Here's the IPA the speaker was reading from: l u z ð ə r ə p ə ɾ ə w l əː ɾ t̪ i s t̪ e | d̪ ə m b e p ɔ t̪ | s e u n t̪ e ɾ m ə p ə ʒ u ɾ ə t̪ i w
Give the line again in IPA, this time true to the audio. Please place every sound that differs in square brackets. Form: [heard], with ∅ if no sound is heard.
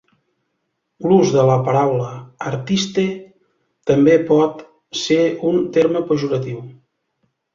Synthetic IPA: l u z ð ə [l] ə p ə ɾ [a] w l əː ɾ t̪ i s t̪ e | [t̪] ə m b e p ɔ t̪ | s e u n t̪ e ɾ m ə p ə ʒ u ɾ ə t̪ i w